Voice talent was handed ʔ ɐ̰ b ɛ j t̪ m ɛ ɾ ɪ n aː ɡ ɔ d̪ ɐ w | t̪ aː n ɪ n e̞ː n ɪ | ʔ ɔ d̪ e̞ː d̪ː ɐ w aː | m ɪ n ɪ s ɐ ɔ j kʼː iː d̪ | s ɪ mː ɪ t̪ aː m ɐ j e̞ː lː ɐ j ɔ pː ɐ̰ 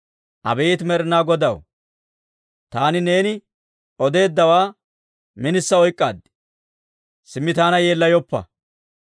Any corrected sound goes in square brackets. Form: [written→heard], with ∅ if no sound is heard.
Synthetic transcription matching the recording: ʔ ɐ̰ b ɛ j t̪ m ɛ ɾ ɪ n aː ɡ ɔ d̪ ɐ w | t̪ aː n ɪ n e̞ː n ɪ | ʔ ɔ d̪ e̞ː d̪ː ɐ w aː | m ɪ n ɪ [s→sː] ɐ ɔ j kʼː [iː→aː] d̪ | s ɪ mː ɪ t̪ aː [m→n] ɐ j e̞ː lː ɐ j ɔ pː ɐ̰

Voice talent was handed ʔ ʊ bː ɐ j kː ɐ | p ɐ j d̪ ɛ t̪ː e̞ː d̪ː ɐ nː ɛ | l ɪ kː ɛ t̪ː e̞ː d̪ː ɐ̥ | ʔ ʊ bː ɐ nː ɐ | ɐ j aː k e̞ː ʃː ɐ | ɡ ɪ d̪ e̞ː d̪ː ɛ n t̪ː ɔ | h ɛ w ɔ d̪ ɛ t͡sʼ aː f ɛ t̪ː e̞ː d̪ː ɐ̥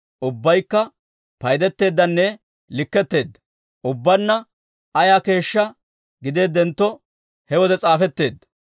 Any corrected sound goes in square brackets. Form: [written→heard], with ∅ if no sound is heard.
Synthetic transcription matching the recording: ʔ ʊ bː ɐ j kː ɐ | p ɐ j d̪ ɛ t̪ː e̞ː d̪ː ɐ nː ɛ | l ɪ kː ɛ t̪ː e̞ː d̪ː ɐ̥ | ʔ ʊ bː ɐ nː ɐ | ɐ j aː k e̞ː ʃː ɐ | ɡ ɪ d̪ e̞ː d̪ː ɛ n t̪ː ɔ | h ɛ w ɔ d̪ ɛ t͡sʼ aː f ɛ t̪ː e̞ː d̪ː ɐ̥

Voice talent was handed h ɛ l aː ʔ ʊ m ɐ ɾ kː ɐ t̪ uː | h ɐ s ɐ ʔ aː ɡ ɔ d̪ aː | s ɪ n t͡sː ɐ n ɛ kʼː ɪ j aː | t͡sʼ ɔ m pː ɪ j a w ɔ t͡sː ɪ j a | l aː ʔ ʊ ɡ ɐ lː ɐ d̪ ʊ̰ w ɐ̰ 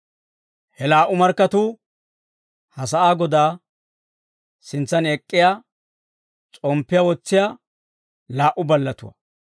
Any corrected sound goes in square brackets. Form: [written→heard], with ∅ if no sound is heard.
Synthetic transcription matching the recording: h ɛ l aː ʔ ʊ m ɐ ɾ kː ɐ t̪ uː | h ɐ s ɐ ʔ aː ɡ ɔ d̪ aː | s ɪ n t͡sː ɐ n ɛ kʼː ɪ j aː | t͡sʼ ɔ m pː ɪ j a w ɔ t͡sː ɪ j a | l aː ʔ ʊ [ɡ→b] ɐ lː ɐ [d̪→t̪] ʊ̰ w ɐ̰

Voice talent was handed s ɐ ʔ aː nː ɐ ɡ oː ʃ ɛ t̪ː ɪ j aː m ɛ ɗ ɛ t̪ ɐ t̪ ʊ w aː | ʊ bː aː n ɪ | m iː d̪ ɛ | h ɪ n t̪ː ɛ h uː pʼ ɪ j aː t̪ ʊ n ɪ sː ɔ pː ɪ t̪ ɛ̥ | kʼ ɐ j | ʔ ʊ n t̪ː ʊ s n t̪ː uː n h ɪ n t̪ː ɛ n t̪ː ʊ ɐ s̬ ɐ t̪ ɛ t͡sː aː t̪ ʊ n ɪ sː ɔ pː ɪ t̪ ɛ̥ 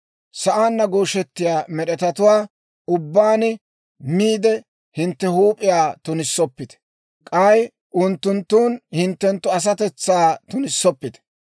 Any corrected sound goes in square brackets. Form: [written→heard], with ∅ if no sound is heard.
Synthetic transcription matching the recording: s ɐ ʔ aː nː ɐ ɡ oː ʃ ɛ t̪ː ɪ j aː m ɛ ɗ ɛ t̪ ɐ t̪ ʊ w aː | ʊ bː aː n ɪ | m iː d̪ ɛ | h ɪ n t̪ː ɛ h uː pʼ ɪ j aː t̪ ʊ n ɪ sː ɔ pː ɪ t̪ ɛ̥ | kʼ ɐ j | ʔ ʊ n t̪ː ʊ [s→∅] n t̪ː uː n h ɪ n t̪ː ɛ n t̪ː ʊ ɐ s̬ ɐ t̪ ɛ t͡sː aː t̪ ʊ n ɪ sː ɔ pː ɪ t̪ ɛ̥

